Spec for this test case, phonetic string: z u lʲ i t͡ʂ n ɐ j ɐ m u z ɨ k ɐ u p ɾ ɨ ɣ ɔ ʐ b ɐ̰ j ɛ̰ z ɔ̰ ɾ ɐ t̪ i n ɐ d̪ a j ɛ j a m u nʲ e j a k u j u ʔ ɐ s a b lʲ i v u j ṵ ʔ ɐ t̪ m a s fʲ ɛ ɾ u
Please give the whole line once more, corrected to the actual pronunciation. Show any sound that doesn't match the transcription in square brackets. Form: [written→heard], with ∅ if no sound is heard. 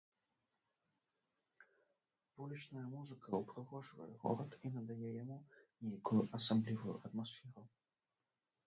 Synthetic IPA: [z→v] u lʲ i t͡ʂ n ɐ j ɐ m u z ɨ k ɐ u p ɾ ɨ ɣ ɔ ʐ [b→v] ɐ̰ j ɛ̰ [z→ɣ] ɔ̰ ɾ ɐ t̪ i n ɐ d̪ a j ɛ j a m u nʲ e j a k u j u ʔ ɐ s a b lʲ i v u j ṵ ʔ ɐ t̪ m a s fʲ ɛ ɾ u